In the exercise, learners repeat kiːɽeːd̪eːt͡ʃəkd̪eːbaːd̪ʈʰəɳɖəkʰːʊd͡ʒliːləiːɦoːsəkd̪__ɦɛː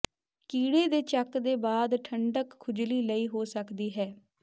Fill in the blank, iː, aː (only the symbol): iː